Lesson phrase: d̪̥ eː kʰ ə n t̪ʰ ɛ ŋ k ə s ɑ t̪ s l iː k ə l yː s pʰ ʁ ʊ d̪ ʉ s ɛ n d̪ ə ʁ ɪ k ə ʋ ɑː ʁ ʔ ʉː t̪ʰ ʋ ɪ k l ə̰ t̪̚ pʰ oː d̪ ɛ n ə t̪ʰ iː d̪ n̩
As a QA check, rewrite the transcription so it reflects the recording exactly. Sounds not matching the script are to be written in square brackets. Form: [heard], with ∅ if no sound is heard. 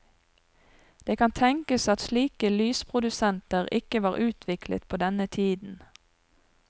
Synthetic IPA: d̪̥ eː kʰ [ɑ] n t̪ʰ ɛ ŋ k ə s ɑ t̪ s l iː k ə l yː s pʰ ʁ ʊ d̪ ʉ s ɛ n [t̪] ə ʁ ɪ k ə ʋ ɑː ʁ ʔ ʉː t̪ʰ ʋ ɪ k l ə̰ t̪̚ pʰ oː d̪ ɛ n ə t̪ʰ iː d̪ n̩